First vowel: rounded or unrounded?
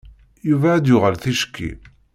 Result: rounded